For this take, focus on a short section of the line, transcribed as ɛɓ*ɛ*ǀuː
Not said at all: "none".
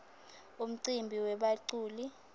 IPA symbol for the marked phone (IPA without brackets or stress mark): a